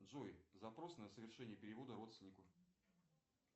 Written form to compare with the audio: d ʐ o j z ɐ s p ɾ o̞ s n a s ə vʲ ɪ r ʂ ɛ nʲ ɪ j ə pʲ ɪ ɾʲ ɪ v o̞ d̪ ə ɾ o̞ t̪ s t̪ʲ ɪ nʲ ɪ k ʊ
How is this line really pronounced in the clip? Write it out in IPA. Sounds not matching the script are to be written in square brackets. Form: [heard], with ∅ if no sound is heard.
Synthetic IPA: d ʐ o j z ɐ [∅] p ɾ o̞ s n [ə] s ə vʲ ɪ r ʂ ɛ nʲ ɪ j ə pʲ ɪ ɾʲ ɪ v o̞ d̪ ə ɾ o̞ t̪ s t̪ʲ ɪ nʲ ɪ k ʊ